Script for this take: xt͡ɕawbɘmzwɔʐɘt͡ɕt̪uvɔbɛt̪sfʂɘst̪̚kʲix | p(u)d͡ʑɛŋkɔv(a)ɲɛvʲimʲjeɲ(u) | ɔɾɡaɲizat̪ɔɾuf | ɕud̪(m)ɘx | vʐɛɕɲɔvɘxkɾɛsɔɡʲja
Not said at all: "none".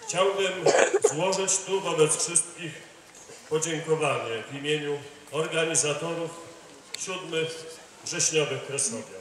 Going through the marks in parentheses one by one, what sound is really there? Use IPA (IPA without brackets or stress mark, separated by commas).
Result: ɔ, a, u, m